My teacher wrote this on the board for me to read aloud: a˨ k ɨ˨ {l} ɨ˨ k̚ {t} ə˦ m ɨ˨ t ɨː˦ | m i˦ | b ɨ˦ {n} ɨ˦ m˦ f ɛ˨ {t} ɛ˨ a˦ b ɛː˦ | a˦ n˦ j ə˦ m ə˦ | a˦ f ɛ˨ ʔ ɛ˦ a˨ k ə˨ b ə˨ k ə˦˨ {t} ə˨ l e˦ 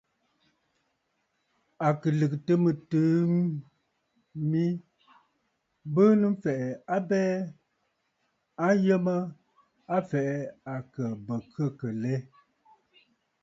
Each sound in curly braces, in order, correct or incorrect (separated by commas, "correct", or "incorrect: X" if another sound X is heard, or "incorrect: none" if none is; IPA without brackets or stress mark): correct, correct, correct, incorrect: ʔ, incorrect: k